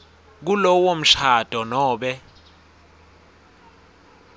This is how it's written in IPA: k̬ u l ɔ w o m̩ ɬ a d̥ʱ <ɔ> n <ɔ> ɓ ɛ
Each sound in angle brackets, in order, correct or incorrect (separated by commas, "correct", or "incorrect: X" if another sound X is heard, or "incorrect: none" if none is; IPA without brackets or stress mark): correct, incorrect: ɔː